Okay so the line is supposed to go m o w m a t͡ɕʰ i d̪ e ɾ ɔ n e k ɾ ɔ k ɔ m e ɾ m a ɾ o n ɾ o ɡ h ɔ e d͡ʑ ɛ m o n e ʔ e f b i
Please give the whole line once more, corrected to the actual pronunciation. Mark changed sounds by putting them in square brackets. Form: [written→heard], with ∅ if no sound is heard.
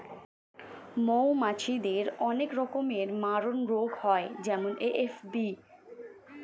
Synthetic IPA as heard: m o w m a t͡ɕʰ i d̪ e ɾ ɔ n e k ɾ ɔ k [ɔ→o] m e ɾ m a ɾ o n ɾ o ɡ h ɔ e d͡ʑ ɛ m o n e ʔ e f b i